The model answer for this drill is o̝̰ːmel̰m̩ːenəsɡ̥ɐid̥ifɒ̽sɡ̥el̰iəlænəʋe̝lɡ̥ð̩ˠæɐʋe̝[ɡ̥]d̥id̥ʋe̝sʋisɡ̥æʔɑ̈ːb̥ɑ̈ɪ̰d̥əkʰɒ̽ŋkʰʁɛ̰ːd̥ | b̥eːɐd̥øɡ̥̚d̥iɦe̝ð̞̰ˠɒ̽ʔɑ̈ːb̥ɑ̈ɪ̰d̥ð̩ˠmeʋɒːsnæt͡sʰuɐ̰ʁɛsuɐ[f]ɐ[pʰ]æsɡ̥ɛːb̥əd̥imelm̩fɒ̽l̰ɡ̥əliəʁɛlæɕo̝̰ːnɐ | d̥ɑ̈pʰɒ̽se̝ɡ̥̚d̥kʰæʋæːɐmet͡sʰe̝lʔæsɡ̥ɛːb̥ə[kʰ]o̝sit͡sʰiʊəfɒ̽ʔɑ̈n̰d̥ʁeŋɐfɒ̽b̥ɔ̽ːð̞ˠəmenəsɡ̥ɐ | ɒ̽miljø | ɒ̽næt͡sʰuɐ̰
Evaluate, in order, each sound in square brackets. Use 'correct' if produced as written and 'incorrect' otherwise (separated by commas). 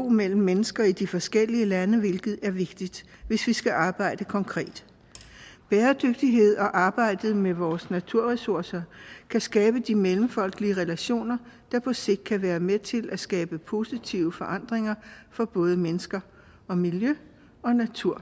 correct, incorrect, incorrect, incorrect